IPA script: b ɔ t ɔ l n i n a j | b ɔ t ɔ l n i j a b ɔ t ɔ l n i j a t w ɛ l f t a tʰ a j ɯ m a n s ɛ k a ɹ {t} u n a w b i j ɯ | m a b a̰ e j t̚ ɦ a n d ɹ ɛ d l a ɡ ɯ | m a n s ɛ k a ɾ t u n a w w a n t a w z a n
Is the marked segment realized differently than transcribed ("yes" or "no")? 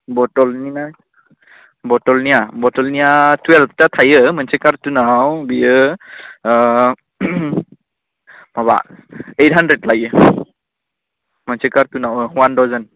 no